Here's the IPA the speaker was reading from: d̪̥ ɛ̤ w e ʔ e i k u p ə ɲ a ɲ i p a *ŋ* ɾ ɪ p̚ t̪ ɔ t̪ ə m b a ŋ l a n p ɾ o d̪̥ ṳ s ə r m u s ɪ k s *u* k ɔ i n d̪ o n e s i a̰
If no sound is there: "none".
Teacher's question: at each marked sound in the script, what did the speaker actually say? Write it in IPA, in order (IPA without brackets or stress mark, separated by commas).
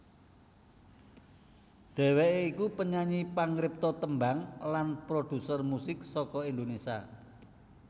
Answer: ŋ, ɔ